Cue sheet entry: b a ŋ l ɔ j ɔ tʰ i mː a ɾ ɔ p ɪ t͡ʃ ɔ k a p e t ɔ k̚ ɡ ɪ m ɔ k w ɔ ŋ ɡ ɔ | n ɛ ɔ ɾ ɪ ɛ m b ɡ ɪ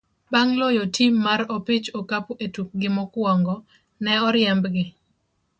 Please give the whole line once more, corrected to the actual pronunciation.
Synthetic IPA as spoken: b a ŋ l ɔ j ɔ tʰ i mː a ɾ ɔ p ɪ t͡ʃ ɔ k a p e t u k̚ ɡ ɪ m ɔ k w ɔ ŋ ɡ ɔ | n ɛ ɔ ɾ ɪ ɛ m b ɡ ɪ